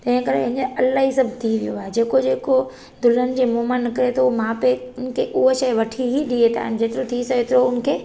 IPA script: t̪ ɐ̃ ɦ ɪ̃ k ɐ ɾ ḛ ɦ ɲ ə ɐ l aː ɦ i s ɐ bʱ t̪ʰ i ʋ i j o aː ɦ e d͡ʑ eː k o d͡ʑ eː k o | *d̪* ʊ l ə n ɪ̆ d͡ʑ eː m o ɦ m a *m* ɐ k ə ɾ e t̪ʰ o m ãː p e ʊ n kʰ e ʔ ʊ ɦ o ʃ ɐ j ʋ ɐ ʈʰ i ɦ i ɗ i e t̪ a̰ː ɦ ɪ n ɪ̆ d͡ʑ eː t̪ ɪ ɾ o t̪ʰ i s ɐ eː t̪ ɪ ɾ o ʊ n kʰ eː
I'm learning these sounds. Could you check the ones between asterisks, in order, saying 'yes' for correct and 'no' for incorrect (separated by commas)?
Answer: yes, no